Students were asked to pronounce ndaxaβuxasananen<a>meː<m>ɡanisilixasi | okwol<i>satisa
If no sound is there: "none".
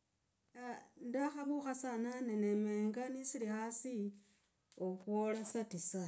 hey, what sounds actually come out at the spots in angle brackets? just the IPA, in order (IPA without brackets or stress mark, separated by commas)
e, ŋ, a